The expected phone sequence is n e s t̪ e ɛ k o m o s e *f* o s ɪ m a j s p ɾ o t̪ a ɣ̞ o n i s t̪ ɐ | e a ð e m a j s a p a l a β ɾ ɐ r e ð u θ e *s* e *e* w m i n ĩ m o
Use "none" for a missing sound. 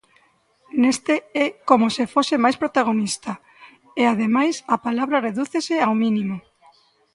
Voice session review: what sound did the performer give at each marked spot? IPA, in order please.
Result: f, s, a

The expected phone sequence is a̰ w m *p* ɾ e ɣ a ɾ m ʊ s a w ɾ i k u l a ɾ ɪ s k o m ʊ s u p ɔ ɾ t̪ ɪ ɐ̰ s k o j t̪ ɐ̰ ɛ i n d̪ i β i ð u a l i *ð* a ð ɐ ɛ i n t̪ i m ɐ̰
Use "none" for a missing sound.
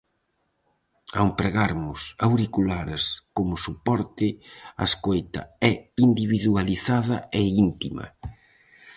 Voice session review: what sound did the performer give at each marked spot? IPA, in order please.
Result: p, θ

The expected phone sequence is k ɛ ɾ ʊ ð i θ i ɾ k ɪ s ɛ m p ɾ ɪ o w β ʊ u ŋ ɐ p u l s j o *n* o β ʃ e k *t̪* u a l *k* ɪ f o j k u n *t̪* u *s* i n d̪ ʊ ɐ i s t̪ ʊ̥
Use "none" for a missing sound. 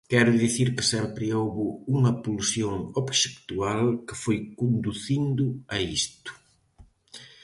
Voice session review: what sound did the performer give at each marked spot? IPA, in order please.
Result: ŋ, t̪, k, d̪, θ

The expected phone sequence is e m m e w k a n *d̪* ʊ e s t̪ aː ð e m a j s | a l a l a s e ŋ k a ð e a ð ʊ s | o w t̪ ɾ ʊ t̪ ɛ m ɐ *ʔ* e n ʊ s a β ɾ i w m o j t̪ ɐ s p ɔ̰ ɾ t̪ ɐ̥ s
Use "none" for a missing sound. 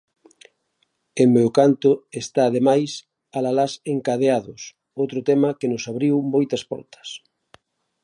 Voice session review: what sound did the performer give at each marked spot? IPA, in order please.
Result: t̪, k

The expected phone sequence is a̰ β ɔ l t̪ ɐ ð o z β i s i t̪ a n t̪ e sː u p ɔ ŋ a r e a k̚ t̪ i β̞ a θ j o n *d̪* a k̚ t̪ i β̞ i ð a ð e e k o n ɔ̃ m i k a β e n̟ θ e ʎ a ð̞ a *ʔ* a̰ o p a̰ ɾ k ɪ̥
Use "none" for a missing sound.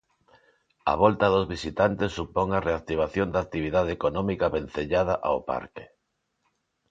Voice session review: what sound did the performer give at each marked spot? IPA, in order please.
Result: d̪, ʔ

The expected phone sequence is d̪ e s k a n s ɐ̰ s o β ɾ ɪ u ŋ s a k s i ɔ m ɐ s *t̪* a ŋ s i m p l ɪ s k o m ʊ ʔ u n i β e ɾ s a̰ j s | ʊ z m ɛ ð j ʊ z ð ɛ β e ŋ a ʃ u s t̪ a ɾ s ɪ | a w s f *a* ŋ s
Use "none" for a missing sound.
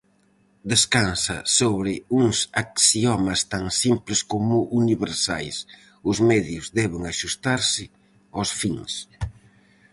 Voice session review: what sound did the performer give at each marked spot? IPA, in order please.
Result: t̪, i

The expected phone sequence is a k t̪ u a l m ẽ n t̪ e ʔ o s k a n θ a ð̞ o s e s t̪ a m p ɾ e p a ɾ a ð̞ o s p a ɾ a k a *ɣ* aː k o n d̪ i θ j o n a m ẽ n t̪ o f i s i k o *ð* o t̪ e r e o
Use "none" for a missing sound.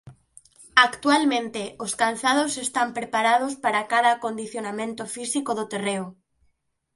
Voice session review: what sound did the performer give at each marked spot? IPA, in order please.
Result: ð, ð

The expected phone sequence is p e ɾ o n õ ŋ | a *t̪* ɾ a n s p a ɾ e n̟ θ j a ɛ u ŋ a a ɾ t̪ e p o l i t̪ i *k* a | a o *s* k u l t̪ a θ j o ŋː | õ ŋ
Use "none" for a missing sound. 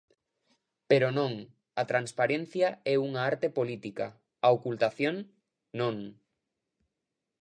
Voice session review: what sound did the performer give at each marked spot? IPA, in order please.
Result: t̪, k, none

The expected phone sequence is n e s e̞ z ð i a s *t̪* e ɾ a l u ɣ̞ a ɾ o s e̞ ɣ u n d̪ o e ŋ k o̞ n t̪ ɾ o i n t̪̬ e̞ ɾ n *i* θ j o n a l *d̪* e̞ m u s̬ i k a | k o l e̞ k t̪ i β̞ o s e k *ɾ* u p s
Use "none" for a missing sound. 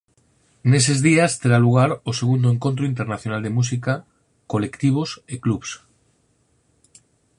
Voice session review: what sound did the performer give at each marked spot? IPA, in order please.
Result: t̪, a, d̪, l

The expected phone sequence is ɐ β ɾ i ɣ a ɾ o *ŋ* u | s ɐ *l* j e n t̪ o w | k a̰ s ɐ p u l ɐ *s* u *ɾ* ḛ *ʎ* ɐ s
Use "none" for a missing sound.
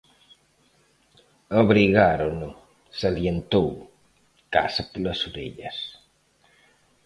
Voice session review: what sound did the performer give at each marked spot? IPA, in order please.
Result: n, l, s, ɾ, ʎ

